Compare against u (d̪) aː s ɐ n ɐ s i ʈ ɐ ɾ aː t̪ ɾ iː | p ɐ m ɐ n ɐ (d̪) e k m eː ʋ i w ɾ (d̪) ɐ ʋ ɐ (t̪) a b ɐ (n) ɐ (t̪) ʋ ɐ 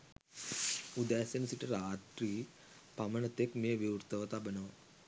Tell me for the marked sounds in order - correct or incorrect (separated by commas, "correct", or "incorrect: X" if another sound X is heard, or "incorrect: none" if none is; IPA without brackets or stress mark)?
correct, incorrect: t̪, incorrect: t̪, correct, correct, incorrect: none